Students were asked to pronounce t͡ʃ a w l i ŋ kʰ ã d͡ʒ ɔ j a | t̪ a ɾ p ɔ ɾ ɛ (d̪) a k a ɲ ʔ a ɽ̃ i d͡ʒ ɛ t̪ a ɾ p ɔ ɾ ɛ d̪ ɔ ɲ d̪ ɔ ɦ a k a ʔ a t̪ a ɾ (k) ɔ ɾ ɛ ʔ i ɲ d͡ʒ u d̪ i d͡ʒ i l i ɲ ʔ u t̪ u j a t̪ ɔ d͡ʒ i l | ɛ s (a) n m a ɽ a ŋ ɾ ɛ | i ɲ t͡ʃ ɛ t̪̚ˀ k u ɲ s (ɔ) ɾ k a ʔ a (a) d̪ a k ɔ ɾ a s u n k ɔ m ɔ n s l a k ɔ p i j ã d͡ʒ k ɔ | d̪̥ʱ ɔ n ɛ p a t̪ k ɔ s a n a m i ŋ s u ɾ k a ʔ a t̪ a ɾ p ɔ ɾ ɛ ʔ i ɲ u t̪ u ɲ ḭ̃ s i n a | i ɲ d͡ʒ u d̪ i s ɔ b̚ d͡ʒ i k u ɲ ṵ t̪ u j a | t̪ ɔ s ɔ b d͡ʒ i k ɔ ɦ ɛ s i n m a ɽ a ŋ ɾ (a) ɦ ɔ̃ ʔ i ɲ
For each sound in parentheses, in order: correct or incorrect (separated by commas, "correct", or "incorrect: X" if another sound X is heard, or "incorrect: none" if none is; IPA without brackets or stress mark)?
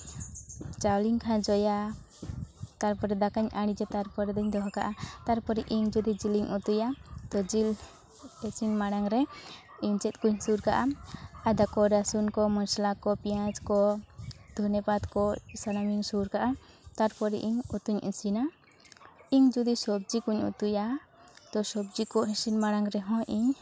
correct, incorrect: p, incorrect: i, incorrect: u, correct, incorrect: ɛ